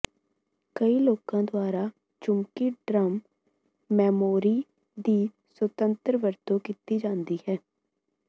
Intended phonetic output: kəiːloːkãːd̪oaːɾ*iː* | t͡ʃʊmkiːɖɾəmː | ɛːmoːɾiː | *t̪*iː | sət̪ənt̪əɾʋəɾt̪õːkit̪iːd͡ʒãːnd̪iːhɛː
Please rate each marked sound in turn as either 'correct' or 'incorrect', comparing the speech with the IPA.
incorrect, incorrect

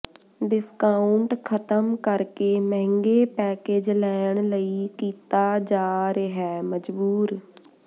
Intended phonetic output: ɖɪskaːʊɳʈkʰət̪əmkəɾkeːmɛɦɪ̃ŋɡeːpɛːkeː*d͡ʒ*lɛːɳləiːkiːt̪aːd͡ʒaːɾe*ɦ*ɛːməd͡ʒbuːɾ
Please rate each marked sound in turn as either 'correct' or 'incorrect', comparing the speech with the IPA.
correct, correct

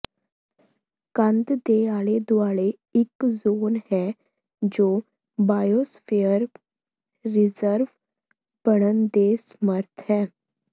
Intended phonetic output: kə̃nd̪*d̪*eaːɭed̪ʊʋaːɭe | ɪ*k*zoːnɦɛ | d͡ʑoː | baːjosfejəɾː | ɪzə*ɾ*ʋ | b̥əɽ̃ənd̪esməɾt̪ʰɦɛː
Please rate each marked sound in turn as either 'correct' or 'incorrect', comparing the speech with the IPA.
correct, correct, correct

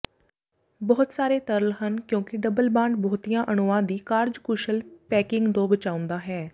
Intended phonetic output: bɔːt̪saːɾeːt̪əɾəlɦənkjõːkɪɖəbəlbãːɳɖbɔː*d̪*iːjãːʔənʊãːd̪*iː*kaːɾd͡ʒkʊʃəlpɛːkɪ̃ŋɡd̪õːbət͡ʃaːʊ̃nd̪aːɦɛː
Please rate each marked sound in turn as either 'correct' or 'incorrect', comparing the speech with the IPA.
incorrect, correct

